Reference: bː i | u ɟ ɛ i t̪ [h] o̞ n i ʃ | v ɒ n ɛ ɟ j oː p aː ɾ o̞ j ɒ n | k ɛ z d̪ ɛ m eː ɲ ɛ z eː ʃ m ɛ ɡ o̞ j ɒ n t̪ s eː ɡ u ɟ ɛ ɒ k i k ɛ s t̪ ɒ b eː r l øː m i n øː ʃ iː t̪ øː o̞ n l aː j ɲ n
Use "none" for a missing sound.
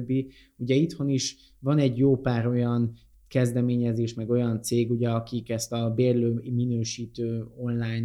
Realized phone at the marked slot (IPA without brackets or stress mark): h